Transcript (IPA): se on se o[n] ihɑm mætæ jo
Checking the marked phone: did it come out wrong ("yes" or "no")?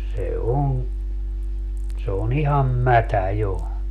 no